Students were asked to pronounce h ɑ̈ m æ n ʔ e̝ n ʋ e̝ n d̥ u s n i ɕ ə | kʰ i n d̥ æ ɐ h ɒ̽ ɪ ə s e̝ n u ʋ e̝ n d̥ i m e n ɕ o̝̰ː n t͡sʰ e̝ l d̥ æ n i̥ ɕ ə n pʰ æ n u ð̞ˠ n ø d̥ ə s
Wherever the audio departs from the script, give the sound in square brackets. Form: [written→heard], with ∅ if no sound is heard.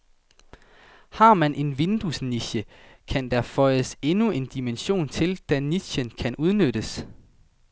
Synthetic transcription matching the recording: h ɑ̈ m æ n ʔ e̝ n ʋ e̝ n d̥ u s n i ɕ ə | kʰ [i→æ] n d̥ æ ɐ [h→f] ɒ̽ ɪ ə s e̝ n u [ʋ→∅] e̝ n d̥ i m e n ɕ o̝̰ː n t͡sʰ e̝ l d̥ æ n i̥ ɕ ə n [pʰ→kʰ] æ n u ð̞ˠ n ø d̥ ə s